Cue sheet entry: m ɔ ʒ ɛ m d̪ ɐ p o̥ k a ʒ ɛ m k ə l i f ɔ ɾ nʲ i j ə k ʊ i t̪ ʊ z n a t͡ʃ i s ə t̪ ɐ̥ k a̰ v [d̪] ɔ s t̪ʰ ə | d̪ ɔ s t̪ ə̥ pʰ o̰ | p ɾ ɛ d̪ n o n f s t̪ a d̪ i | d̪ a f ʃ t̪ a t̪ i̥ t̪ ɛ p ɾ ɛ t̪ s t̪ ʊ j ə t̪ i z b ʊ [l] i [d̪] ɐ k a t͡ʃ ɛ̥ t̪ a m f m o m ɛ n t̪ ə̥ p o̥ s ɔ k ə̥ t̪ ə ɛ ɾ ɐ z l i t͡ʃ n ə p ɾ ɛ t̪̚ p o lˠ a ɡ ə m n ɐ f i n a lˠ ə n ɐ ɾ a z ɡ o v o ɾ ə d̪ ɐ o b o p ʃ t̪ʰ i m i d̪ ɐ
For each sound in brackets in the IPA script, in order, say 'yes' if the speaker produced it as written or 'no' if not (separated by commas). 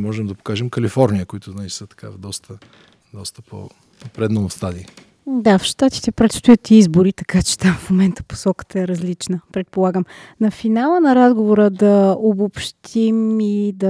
yes, no, no